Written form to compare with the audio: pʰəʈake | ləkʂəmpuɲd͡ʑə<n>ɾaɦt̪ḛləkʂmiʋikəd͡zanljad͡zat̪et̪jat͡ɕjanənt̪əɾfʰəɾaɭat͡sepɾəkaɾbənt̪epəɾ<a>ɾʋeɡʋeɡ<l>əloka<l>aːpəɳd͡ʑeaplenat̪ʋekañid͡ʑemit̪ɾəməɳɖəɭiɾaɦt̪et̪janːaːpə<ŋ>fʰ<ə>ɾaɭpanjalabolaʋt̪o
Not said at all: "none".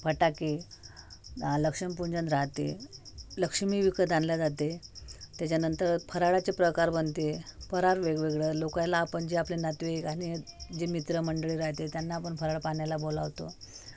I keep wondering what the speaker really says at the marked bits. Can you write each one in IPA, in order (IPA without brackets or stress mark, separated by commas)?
n, a, ɭ, l, ɳ, ə